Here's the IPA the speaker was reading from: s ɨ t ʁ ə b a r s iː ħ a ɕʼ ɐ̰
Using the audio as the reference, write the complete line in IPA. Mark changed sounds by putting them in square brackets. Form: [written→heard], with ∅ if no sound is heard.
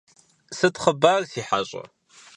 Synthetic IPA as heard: s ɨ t [ʁ→χ] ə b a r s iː ħ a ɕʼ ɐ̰